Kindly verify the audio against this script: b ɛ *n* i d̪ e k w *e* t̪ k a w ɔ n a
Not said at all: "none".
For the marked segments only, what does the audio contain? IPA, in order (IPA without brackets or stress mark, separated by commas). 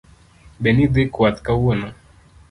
n, a